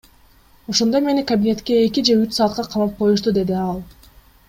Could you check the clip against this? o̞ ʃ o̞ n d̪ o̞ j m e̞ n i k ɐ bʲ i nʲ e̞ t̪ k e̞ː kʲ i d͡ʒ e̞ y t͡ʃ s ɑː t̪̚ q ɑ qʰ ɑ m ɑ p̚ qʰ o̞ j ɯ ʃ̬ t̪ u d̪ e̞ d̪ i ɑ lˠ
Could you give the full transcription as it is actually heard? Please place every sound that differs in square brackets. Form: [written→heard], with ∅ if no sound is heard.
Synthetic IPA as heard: o̞ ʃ o̞ n d̪ o̞ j m e̞ n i k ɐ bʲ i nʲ e̞ t̪ k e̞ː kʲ i d͡ʒ e̞ y t͡ʃ s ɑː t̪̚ q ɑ qʰ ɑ m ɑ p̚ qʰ o̞ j [ɯ→u] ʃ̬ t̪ u d̪ e̞ d̪ i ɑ lˠ